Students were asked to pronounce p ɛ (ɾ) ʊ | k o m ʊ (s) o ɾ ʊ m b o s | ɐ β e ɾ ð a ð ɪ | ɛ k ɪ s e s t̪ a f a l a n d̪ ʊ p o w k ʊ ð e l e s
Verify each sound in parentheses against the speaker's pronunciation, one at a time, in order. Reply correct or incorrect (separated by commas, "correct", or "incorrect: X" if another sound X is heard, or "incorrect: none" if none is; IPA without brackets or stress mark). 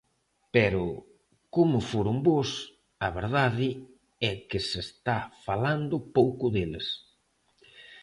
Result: correct, incorrect: f